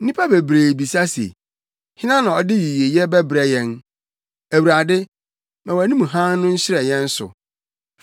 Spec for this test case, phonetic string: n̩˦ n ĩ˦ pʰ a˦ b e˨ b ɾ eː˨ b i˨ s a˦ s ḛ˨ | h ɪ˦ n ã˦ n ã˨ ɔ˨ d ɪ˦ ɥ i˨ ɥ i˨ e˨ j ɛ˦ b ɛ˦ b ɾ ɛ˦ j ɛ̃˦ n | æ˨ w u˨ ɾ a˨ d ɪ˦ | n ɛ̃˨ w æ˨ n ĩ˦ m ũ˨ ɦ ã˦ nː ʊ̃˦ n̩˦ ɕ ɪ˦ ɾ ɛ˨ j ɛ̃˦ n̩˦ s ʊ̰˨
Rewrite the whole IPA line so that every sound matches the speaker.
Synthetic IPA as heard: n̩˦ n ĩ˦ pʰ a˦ b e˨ b ɾ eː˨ b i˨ s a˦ s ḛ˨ | h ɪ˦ n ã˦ n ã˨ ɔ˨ d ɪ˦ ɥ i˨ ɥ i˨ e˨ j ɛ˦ b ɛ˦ b ɾ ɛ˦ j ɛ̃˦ n | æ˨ w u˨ ɾ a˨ d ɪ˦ | m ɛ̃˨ w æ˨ n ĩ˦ m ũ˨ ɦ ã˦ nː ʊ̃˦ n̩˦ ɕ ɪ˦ ɾ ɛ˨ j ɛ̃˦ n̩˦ s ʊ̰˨